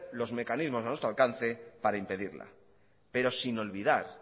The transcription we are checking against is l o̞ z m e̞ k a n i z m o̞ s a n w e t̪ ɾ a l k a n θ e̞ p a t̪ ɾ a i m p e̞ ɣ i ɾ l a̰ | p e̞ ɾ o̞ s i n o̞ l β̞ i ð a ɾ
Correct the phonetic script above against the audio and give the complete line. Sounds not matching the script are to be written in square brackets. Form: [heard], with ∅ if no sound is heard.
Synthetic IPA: l o̞ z m e̞ k a n i z m o̞ s a n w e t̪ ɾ a l k a n θ e̞ p a [∅] ɾ a i m p e̞ [ð] i ɾ l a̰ | p e̞ ɾ o̞ s i n o̞ l β̞ i ð a ɾ